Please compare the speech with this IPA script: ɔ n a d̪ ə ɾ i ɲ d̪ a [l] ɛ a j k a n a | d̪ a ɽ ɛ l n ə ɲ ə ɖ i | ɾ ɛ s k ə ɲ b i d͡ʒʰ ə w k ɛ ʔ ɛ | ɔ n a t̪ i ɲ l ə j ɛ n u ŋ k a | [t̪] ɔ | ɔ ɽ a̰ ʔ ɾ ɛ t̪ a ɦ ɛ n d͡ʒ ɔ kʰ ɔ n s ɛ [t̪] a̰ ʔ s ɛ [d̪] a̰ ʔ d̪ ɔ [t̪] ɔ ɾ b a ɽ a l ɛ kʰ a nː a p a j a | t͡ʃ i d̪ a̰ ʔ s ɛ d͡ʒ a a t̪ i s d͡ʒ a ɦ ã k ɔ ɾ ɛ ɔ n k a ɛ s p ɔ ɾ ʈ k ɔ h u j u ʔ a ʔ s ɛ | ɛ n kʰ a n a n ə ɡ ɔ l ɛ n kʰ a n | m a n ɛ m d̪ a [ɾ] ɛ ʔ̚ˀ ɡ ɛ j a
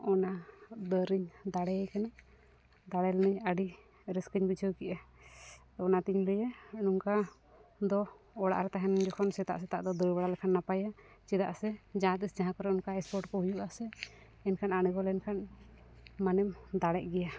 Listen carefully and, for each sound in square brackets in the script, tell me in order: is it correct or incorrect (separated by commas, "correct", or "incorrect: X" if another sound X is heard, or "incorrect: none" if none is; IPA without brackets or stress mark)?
incorrect: ɽ, incorrect: d̪, correct, incorrect: t̪, incorrect: d̪, incorrect: ɽ